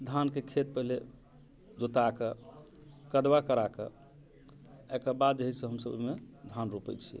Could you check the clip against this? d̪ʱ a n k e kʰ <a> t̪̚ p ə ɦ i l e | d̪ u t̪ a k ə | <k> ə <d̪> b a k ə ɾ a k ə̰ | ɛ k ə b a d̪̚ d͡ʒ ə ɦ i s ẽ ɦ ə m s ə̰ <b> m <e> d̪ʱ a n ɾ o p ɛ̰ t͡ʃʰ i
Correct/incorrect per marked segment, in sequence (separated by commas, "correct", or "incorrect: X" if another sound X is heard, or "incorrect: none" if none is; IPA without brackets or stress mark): incorrect: e, correct, correct, correct, correct